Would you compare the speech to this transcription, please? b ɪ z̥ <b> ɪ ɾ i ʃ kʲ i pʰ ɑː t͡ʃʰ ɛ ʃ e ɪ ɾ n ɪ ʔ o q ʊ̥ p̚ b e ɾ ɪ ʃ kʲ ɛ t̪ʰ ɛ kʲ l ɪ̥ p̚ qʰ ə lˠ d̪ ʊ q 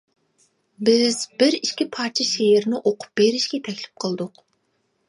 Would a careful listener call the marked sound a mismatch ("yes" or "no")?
no